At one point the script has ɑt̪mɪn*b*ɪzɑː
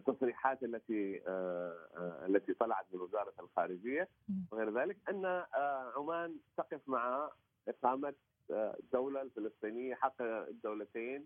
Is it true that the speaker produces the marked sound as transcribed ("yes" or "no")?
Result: no